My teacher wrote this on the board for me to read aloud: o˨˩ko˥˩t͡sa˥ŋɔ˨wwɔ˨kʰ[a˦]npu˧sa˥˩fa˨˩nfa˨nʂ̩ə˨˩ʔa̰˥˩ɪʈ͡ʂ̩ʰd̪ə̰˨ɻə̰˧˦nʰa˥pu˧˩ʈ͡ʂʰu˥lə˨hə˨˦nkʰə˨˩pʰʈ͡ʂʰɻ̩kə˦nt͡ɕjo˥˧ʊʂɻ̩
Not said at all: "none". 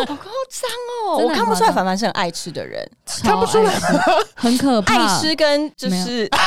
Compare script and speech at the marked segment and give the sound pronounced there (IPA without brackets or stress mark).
a˥˩